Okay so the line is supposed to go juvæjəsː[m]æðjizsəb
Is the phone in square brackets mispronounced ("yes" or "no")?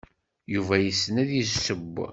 yes